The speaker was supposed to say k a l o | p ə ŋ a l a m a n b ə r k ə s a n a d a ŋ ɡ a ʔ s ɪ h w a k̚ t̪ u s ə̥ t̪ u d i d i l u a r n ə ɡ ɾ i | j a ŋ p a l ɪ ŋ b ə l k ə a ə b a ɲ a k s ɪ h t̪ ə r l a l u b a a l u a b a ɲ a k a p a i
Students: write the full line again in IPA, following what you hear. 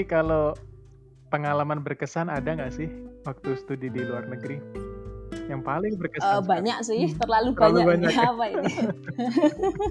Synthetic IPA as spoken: k a l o | p ə ŋ a l a m a n b ə r k ə s a n a d a ŋ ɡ a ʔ s ɪ h w a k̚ t̪ u s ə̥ t̪ u d i d i l u a r n ə ɡ ɾ i | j a ŋ p a l ɪ ŋ b ə r k ə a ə b a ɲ a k s ɪ h t̪ ə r l a l u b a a l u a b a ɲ a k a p a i